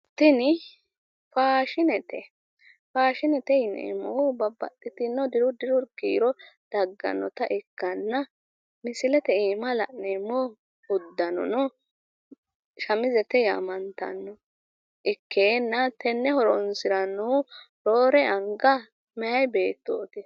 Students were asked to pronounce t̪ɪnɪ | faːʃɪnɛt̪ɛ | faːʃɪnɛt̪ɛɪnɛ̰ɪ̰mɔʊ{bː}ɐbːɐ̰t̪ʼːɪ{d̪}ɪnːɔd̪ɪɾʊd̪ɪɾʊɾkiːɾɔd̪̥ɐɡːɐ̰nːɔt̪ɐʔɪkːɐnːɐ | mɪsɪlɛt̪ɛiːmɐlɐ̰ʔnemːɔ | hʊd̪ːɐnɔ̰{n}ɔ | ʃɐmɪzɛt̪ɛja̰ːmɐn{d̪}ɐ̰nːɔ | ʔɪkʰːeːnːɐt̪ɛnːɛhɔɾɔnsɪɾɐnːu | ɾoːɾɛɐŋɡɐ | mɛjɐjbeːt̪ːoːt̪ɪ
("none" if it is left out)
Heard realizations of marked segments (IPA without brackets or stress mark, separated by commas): b, t̪, n, t̪